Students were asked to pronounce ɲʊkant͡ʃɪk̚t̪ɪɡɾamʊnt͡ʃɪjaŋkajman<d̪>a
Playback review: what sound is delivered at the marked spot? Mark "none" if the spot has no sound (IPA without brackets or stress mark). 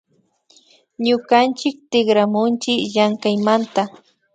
t̪